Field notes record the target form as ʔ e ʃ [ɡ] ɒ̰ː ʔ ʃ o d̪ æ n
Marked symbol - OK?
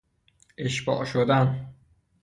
no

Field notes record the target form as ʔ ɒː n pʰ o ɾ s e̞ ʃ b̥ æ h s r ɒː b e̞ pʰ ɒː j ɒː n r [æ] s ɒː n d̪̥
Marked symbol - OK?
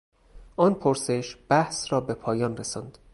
no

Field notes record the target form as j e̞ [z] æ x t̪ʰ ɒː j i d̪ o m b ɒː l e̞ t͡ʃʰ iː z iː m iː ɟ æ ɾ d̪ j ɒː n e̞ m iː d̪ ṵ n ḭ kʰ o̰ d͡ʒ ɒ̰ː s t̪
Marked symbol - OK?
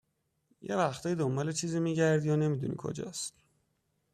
no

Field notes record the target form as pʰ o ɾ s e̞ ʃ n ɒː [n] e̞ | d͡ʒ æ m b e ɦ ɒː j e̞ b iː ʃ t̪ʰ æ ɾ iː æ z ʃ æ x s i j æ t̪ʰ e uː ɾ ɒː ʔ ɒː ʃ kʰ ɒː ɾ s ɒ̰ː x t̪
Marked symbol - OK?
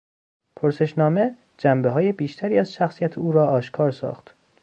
no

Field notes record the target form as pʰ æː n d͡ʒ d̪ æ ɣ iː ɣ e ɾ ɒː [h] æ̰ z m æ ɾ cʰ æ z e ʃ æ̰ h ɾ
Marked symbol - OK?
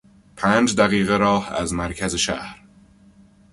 yes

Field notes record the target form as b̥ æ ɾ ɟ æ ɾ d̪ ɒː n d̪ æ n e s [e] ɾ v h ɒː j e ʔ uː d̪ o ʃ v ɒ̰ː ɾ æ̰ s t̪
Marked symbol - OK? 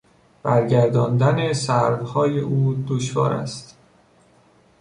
no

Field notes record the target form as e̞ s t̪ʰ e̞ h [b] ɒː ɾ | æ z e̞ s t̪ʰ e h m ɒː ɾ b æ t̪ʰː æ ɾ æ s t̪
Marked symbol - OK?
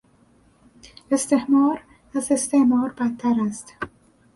no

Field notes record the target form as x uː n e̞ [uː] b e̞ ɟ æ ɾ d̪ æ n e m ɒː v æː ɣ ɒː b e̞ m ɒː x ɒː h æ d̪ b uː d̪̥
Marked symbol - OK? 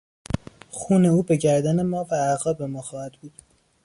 yes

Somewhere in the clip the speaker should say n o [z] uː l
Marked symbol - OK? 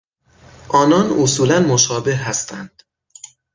no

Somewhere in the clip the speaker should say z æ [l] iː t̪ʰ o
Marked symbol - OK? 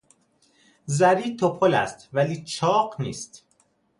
no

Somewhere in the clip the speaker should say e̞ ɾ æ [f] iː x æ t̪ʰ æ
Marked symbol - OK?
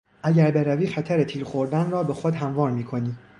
no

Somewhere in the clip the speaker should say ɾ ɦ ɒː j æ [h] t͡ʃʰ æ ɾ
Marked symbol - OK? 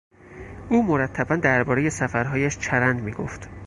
no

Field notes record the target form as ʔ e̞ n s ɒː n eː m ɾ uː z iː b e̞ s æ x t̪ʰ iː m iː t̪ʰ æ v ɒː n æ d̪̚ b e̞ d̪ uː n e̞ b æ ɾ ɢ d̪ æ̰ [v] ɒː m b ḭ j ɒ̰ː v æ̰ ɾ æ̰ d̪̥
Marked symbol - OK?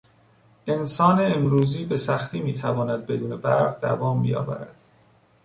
yes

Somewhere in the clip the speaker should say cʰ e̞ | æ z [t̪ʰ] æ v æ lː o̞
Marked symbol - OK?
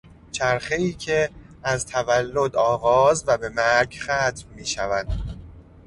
yes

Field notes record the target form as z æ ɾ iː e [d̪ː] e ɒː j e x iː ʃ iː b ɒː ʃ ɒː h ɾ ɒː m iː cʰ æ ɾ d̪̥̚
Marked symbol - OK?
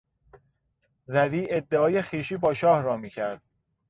yes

